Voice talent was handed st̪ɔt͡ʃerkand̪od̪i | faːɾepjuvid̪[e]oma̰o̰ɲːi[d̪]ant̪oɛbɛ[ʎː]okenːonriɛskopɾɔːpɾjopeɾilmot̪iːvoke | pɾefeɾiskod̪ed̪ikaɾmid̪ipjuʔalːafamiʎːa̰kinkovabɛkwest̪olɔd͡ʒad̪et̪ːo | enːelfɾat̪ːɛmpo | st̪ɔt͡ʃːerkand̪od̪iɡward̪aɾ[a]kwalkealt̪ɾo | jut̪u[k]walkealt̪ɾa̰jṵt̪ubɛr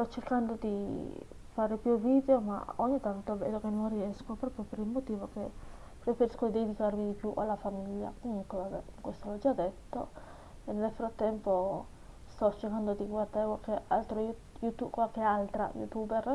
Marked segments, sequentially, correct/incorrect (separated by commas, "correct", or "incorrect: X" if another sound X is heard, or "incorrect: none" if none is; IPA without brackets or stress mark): correct, incorrect: t̪, incorrect: lː, incorrect: e, correct